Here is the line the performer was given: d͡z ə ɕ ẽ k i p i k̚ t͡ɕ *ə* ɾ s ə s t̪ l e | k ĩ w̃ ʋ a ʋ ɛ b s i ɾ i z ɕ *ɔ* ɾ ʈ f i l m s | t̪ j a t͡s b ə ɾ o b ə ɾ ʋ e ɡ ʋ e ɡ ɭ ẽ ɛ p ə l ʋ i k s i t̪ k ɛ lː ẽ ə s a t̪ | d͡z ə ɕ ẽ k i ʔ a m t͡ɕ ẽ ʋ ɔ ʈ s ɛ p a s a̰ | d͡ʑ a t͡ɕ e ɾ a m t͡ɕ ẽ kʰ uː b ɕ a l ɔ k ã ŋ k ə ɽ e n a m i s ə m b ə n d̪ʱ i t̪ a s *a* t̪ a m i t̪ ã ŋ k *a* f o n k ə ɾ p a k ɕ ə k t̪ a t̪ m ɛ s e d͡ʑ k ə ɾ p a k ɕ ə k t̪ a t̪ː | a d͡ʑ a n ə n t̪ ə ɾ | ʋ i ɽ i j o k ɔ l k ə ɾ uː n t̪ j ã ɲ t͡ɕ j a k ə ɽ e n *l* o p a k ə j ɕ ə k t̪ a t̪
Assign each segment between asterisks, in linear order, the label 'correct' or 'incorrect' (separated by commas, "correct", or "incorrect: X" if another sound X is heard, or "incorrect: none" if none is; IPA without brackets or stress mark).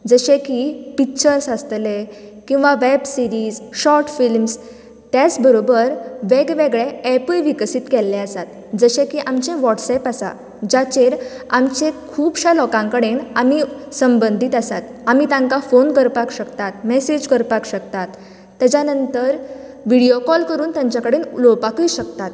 correct, correct, correct, correct, correct